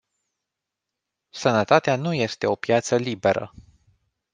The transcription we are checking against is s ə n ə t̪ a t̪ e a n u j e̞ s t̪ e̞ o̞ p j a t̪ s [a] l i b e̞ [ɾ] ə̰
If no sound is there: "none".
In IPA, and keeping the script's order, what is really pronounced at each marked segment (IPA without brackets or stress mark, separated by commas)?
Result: ə, ɾ